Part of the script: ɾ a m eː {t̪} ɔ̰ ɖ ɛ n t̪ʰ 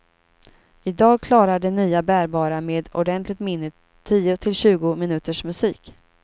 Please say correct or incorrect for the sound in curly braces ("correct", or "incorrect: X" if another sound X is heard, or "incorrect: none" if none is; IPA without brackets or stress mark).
incorrect: d̪